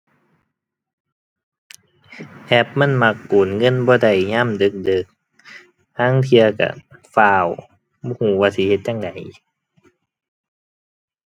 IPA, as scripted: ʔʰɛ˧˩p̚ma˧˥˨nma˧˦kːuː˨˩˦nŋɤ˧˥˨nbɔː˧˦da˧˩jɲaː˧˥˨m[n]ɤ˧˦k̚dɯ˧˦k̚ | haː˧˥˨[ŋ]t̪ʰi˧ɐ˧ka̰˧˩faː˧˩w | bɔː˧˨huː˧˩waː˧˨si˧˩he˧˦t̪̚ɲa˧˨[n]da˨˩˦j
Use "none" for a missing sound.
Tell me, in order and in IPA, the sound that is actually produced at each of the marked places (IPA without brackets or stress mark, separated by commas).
d, ŋ, ŋ